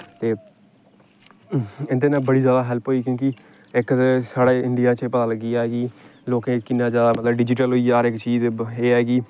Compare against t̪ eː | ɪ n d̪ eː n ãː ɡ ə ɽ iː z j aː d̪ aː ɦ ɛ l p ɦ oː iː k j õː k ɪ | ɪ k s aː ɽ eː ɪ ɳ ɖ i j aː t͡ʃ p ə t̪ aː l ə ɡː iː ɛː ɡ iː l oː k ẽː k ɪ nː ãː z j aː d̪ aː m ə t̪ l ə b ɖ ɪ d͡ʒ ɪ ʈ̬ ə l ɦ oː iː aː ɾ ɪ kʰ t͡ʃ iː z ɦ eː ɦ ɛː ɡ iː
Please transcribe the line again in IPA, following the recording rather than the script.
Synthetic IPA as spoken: t̪ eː | ɪ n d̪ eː n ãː b ə ɽ iː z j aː d̪ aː ɦ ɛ l p ɦ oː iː k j õː k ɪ | ɪ k s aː ɽ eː ɪ ɳ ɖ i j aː t͡ʃ p ə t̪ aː l ə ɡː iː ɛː ɡ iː l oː k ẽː k ɪ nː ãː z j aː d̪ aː m ə t̪ l ə b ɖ ɪ d͡ʒ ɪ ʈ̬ ə l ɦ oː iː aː ɾ ɪ k t͡ʃ iː z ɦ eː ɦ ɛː ɡ iː